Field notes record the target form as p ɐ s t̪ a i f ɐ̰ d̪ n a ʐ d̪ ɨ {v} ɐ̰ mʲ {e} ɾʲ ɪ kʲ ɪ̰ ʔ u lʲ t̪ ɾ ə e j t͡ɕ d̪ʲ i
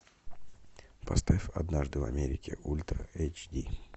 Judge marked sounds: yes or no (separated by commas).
yes, yes